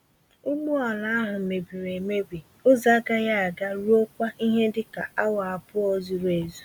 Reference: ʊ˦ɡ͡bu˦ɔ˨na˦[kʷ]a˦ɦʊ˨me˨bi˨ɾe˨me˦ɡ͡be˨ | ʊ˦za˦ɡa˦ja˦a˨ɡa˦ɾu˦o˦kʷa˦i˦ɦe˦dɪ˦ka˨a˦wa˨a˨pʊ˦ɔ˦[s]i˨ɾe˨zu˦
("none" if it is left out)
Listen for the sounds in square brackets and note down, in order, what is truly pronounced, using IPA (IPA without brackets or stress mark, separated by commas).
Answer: none, z